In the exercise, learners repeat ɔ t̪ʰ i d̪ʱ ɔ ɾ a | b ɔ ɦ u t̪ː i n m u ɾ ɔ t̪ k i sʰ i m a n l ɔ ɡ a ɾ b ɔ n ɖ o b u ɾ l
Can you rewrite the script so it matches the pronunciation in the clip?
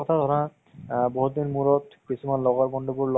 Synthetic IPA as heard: ɔ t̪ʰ a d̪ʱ ɔ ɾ a | b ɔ ɦ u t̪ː i n m u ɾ ɔ t̪ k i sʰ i m a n l ɔ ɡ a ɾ b ɔ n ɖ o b u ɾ l